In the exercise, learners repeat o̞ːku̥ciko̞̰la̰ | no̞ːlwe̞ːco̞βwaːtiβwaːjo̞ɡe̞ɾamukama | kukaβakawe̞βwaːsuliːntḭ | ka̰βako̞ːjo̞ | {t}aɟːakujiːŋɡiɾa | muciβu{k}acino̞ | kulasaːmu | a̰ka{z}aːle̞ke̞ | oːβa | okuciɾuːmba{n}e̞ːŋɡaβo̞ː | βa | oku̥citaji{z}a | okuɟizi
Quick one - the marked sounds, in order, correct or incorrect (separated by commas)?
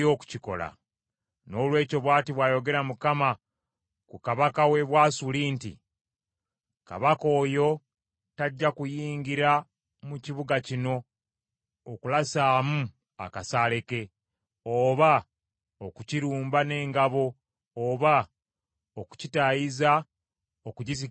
correct, incorrect, incorrect, correct, correct